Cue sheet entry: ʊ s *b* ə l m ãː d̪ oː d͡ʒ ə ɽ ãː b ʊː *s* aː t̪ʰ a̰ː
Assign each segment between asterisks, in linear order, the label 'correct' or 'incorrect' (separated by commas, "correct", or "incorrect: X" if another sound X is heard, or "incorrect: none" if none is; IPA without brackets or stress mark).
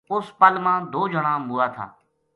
incorrect: p, incorrect: none